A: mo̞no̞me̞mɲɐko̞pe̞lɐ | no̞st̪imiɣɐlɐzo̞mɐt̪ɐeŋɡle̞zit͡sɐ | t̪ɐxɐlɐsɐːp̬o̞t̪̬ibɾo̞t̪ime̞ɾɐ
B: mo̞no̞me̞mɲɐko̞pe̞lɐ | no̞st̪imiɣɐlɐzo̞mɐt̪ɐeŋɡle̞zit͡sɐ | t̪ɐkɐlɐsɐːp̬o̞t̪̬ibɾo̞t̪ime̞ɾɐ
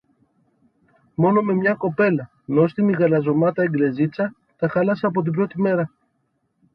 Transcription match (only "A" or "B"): A